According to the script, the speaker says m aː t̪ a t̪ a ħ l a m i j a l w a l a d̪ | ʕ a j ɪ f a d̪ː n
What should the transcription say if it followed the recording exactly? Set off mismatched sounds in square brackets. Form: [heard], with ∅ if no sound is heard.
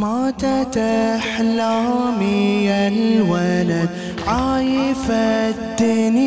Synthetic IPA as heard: m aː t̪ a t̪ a ħ l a m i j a l w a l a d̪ | ʕ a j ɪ f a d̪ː n